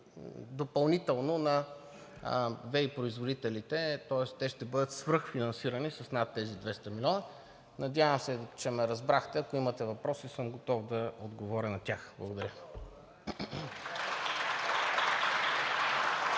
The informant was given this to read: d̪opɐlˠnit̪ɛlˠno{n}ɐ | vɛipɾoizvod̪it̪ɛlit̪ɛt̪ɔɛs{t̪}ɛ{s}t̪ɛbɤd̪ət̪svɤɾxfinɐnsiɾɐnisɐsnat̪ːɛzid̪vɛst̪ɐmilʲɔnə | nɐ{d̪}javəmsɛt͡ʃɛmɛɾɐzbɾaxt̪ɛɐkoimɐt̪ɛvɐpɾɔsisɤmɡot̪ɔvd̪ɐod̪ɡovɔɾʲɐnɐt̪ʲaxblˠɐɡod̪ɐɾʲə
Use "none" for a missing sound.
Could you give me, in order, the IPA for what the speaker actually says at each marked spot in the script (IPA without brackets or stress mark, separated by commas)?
n, t̪, ʃ, d̪